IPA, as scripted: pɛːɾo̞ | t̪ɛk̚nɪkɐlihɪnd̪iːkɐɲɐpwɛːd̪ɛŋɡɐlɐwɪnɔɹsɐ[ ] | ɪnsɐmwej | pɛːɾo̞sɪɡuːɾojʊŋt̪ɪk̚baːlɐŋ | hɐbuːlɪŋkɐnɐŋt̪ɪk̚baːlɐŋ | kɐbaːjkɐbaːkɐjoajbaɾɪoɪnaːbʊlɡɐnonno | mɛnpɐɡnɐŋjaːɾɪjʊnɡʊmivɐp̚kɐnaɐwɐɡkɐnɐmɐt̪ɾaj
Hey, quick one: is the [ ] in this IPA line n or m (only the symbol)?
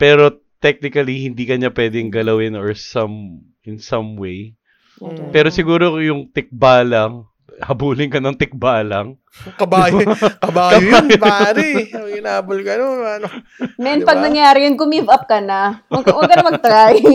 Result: m